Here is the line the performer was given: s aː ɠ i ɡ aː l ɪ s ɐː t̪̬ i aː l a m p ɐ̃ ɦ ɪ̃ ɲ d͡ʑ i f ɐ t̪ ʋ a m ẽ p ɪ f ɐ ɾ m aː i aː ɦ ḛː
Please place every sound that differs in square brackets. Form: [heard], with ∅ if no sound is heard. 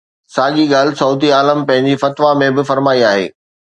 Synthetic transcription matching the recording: s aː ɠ i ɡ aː l ɪ s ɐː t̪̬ i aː l [ə] m p ɐ̃ ɦ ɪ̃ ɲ d͡ʑ i f ɐ t̪ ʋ a m ẽ [b] ɪ f ɐ ɾ m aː i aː ɦ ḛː